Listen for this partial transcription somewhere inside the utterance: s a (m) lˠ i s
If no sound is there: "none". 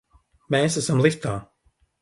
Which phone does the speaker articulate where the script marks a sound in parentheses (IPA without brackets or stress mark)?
m